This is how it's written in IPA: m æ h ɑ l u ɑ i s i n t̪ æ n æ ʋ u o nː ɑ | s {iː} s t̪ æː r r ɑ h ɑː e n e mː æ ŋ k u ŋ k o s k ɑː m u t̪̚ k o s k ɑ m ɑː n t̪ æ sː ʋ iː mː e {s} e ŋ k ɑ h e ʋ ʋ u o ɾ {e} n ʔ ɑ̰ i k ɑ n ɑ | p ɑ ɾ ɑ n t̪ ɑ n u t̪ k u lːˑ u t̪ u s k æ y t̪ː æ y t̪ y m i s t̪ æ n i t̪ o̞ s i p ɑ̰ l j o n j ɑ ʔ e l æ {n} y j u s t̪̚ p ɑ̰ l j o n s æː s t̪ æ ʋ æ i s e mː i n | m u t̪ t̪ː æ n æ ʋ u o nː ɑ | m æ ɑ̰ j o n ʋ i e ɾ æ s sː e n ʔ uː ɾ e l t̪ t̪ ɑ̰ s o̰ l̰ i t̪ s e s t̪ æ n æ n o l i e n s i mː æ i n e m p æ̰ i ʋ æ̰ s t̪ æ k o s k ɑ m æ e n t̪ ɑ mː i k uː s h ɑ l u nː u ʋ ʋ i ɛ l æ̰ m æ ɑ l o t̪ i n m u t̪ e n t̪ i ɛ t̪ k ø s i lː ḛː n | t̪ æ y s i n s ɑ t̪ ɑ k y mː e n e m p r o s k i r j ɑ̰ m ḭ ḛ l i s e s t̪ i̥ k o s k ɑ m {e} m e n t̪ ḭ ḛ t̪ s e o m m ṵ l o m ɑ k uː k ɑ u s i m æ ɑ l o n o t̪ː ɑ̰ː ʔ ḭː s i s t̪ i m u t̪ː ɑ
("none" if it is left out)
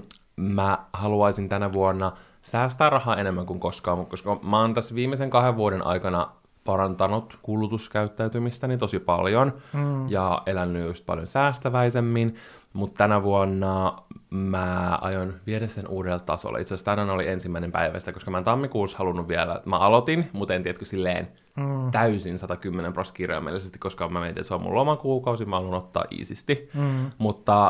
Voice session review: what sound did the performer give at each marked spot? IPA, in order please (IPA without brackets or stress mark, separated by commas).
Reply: æː, s, e, nː, æ